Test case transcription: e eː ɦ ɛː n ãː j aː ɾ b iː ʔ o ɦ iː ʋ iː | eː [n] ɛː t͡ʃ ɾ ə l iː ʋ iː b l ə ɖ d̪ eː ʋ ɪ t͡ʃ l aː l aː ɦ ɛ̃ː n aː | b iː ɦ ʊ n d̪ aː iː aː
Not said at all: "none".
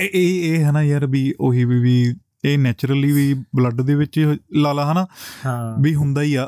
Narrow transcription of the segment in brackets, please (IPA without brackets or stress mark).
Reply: n